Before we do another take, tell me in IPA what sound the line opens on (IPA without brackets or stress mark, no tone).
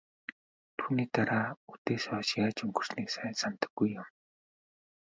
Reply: t̪ʰ